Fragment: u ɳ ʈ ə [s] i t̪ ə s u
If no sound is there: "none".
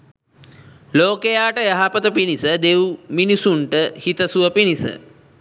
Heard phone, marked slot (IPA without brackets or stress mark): h